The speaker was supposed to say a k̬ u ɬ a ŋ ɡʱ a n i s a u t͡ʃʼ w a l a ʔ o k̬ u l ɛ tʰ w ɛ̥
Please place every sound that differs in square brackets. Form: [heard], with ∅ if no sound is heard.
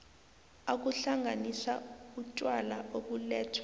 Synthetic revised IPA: a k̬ u ɬ a ŋ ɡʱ a n i s a u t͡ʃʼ w a l a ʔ o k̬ u l [ɛː] tʰ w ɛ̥